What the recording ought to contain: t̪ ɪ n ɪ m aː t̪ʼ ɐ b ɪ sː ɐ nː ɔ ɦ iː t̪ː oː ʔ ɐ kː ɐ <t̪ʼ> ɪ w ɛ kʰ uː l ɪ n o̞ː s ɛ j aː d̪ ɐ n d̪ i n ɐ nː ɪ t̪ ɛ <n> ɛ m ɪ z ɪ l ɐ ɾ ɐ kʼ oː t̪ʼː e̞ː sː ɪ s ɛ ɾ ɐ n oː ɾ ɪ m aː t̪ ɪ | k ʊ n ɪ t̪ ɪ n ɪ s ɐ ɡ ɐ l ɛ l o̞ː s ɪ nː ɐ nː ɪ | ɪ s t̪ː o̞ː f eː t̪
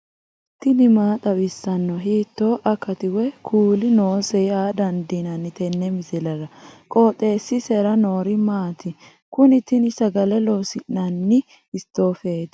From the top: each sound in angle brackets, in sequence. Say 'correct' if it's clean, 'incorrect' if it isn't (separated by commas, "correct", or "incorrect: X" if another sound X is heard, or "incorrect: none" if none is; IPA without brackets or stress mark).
incorrect: t̪, incorrect: nː